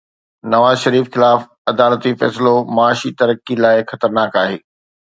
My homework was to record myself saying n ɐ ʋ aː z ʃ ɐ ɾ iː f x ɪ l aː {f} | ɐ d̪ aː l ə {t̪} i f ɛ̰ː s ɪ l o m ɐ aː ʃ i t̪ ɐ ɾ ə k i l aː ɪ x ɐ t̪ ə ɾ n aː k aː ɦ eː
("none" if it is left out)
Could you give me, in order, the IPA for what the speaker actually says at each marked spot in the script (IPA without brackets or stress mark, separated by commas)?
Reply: f, t̪